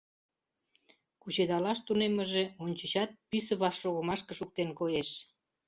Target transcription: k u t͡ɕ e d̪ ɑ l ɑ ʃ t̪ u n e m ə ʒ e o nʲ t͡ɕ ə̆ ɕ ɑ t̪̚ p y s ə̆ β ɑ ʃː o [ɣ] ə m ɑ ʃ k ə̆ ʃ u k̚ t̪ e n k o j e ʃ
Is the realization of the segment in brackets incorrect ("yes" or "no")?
no